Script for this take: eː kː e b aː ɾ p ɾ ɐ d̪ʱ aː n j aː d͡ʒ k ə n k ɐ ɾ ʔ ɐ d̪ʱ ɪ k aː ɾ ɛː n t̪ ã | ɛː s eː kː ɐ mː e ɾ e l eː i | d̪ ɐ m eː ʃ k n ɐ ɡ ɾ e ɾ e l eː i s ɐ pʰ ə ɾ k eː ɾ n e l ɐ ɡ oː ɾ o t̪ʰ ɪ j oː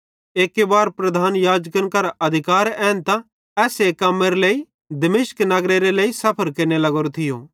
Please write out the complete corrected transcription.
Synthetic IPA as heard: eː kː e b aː ɾ p ɾ ɐ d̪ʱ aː n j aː d͡ʒ k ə n k ɐ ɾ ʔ ɐ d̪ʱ ɪ k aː ɾ ɛː n t̪ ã | ɛː s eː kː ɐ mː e ɾ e l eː i | d̪ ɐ m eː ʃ k n ɐ ɡ ɾ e ɾ e l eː i s ɐ pʰ ə ɾ k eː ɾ n e l ɐ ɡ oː ɾ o t̪ʰ ɪ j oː